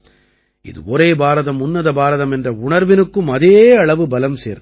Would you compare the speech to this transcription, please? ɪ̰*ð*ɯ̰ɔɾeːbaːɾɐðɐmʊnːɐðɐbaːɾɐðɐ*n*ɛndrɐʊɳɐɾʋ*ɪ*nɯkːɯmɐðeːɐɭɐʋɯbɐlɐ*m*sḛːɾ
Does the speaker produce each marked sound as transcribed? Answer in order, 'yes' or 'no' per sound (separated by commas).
yes, no, yes, yes